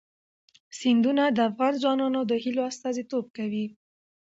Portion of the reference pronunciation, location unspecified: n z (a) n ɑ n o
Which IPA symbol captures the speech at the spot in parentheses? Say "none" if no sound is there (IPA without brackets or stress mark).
ɑ